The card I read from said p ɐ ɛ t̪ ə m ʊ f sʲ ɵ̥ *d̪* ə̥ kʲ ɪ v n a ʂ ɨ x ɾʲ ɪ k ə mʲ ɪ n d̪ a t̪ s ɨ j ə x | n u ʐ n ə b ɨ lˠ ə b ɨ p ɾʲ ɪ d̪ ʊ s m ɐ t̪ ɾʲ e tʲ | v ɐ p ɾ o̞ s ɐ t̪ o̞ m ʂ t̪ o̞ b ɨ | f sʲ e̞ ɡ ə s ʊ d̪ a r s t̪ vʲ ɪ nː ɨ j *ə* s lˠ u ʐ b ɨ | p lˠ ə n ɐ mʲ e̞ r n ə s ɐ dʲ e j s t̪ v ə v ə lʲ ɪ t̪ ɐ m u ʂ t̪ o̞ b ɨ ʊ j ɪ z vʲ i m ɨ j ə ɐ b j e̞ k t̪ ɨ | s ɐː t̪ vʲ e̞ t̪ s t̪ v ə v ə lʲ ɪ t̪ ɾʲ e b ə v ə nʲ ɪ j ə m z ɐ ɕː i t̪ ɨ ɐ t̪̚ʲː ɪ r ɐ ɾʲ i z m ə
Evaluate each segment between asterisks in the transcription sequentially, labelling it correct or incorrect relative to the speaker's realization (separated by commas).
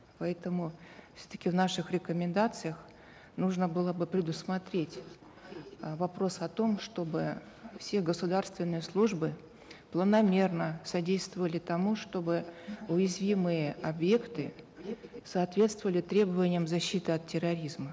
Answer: incorrect, correct